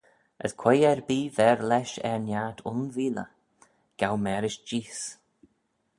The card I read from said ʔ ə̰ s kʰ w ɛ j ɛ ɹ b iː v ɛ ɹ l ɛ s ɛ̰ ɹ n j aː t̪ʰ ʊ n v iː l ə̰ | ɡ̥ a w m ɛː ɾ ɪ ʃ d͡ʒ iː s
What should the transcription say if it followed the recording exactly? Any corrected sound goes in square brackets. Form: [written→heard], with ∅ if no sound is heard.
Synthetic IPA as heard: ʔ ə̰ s kʰ w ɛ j ɛ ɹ b iː v ɛ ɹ l ɛ [s→ʃ] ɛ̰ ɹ n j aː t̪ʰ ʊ n v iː l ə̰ | ɡ̥ a w m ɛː ɾ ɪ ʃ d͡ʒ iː s

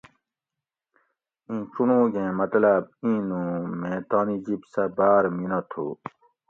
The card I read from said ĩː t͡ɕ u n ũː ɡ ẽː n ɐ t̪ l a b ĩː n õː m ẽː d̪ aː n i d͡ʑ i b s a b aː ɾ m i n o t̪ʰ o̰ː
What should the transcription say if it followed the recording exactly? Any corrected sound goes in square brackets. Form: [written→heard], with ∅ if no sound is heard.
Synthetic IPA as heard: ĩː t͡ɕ u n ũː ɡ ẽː [n→m] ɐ t̪ l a b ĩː n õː m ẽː [d̪→t̪] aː n i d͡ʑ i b s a b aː ɾ m i n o t̪ʰ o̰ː

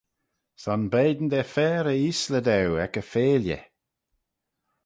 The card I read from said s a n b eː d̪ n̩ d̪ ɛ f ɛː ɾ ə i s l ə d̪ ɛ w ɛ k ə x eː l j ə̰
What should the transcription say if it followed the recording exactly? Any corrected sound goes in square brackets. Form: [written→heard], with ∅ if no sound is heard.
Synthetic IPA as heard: s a n b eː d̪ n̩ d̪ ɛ f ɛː ɾ ə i s l ə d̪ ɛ w ɛ k ə [x→f] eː l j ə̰

